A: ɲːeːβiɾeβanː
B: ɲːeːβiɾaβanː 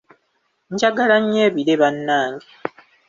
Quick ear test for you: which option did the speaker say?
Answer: A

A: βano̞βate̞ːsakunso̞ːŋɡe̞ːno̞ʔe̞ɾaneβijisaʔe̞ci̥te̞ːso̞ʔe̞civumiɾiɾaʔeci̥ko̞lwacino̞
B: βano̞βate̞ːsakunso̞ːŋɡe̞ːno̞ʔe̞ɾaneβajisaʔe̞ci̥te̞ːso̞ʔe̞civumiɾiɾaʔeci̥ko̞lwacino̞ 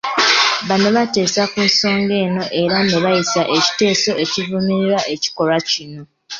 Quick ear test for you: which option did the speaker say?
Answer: B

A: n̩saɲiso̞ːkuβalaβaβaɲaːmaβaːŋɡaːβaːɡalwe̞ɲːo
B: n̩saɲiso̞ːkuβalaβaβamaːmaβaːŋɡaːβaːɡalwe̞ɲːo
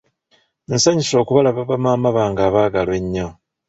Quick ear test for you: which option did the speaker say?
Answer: B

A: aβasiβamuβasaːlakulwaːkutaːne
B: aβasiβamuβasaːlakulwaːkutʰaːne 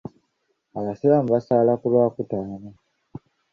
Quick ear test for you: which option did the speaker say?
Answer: A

